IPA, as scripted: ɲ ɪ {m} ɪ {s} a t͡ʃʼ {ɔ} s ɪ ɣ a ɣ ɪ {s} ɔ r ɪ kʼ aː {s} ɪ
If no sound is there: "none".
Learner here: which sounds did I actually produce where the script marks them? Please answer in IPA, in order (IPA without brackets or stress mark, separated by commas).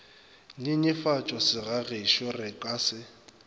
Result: ɲ, f, ɔ, ʃ, s